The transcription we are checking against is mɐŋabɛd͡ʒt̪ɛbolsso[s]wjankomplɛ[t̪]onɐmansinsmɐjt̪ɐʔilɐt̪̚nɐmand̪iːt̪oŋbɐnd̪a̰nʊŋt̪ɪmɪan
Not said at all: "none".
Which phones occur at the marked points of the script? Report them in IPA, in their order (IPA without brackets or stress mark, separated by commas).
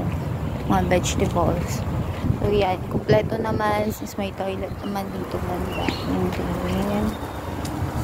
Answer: none, t̪